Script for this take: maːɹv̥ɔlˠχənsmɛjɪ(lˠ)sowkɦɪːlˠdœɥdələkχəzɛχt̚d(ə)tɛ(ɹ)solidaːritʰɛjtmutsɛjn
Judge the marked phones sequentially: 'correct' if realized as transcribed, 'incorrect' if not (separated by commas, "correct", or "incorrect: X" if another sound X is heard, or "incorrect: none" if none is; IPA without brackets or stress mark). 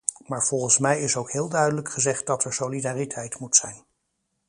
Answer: incorrect: none, incorrect: ɑ, correct